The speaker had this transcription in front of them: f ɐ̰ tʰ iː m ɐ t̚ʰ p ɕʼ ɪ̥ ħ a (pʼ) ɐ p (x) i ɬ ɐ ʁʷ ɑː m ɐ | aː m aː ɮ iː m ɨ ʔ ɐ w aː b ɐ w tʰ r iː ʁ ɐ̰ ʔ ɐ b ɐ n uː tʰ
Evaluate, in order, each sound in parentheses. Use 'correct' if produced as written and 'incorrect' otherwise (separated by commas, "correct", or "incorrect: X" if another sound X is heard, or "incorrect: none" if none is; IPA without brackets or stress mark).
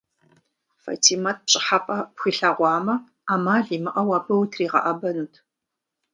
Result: correct, correct